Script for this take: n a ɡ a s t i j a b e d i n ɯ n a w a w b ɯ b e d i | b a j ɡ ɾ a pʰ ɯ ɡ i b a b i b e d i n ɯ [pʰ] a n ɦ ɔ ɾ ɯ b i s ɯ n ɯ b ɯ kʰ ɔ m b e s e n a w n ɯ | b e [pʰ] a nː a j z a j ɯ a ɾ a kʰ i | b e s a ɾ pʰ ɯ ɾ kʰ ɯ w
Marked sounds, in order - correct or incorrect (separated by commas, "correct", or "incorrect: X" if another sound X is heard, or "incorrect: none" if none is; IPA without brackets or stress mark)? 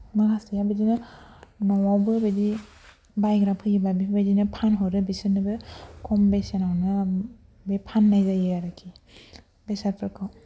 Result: correct, correct